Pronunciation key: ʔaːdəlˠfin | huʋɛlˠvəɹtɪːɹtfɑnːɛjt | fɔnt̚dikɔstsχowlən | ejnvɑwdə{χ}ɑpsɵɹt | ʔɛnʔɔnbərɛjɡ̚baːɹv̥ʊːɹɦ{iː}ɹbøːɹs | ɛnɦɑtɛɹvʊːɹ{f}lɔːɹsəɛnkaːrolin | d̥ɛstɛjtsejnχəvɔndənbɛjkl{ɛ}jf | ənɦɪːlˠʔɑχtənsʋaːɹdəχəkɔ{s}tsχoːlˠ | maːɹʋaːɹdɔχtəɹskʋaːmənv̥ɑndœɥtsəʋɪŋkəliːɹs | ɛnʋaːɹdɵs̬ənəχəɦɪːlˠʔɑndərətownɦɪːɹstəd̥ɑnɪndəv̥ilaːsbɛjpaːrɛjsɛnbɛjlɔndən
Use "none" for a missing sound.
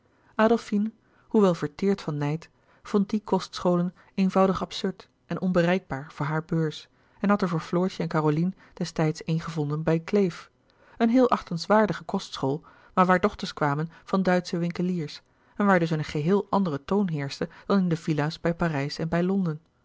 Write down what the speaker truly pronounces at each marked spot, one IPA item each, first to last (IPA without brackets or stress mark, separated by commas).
χ, aː, f, e, s